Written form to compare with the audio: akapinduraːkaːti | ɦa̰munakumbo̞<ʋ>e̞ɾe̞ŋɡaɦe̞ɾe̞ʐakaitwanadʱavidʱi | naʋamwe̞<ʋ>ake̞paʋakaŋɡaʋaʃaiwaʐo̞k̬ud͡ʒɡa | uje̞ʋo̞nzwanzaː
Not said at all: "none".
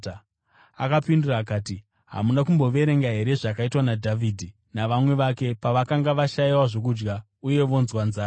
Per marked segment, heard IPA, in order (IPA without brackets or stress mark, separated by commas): ʋ, ʋ